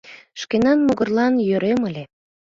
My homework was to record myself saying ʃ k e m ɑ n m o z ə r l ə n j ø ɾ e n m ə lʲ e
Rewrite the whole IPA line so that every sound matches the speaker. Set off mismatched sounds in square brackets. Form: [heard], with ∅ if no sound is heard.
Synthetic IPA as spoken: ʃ k e [n] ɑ n m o [ɣ] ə r l [ɑ] n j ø ɾ e [∅] m ə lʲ e